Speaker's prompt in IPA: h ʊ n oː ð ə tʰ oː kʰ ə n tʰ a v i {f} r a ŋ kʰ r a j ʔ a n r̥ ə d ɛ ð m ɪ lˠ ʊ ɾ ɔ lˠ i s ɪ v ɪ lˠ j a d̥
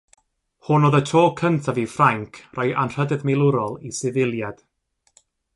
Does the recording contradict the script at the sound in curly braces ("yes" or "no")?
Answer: no